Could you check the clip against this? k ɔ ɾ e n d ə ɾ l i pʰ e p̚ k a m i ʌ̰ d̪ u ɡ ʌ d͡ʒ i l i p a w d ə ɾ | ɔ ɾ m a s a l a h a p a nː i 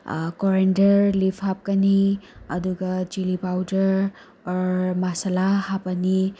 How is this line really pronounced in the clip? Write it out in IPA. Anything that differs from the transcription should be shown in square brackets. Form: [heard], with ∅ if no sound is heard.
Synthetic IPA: k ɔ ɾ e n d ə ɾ l i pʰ [a] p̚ k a [n] i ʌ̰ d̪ u ɡ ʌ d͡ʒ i l i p a w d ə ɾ | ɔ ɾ m a s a l a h a p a [n] i